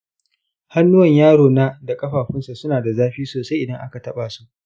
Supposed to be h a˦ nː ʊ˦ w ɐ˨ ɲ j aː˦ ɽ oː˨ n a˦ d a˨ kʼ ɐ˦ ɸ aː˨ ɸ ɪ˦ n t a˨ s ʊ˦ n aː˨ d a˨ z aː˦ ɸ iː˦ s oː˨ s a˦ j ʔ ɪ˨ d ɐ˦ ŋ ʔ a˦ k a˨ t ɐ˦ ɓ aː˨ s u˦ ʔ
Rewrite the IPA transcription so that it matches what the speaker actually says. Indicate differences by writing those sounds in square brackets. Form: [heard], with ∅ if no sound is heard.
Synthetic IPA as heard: h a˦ nː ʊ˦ w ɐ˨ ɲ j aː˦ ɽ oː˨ n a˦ d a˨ kʼ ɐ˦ ɸ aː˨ ɸ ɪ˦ n [s] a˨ s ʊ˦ n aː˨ d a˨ z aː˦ ɸ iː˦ s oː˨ s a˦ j ʔ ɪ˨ d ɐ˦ ŋ ʔ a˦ k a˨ t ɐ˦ ɓ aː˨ s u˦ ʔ